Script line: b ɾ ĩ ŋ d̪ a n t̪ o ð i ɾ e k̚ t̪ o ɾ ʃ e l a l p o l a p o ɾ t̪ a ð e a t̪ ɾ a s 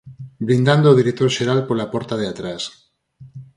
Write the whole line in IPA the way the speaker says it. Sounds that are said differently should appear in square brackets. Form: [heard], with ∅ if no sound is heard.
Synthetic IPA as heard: b ɾ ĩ [n] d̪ a n [d̪] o ð i ɾ e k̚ t̪ o ɾ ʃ e [ɾ] a l p o l a p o ɾ t̪ a ð e a t̪ ɾ a s